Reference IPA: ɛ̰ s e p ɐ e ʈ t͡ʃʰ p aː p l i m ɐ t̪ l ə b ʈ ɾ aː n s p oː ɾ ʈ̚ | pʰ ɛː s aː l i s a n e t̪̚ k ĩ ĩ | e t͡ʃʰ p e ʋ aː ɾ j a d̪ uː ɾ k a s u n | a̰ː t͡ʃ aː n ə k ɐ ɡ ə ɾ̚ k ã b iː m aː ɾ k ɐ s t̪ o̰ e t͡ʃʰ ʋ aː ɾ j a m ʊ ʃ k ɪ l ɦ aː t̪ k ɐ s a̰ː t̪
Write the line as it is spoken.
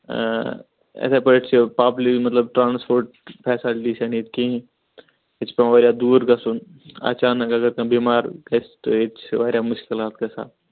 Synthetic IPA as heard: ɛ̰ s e p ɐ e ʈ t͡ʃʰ p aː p l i m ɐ t̪ l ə b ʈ ɾ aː n s p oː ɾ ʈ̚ | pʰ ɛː s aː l i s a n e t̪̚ k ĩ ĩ | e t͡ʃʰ p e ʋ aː ɾ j a d̪ uː ɾ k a s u n | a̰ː t͡ʃ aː n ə k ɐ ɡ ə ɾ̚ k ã b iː m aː ɾ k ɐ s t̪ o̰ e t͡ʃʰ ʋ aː ɾ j a m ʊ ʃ k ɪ l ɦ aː t̪ k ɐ s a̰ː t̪